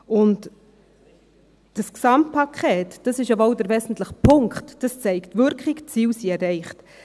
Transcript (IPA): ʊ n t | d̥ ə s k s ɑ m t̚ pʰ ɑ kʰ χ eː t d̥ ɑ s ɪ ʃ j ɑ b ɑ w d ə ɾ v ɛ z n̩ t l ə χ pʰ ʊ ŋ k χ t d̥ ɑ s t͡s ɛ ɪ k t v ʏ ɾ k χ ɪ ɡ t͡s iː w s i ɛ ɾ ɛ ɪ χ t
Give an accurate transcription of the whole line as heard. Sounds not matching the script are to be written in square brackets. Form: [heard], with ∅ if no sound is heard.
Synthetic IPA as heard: ʊ n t | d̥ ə s k s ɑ m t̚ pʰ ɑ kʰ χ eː t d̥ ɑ s ɪ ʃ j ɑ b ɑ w d ə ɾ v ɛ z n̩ t l ə χ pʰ ʊ ŋ k χ t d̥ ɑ s t͡s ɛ ɪ k t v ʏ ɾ k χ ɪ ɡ t͡s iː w s i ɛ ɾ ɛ ɪ χ t